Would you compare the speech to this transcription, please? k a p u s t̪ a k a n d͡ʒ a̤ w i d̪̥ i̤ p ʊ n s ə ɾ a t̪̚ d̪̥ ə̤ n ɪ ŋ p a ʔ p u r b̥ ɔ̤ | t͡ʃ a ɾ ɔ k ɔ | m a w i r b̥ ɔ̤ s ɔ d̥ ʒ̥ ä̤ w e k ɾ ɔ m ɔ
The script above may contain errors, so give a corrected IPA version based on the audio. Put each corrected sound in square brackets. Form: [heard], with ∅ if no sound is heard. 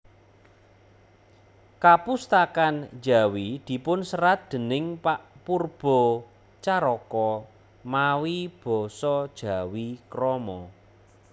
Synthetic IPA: k a p u s t̪ a k a n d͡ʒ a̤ w i d̪̥ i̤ p ʊ n s ə ɾ a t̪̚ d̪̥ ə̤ n ɪ ŋ p a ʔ p u r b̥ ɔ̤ | t͡ʃ a ɾ ɔ k ɔ | m a w i [∅] b̥ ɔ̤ s ɔ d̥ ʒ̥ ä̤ w [i] k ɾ ɔ m ɔ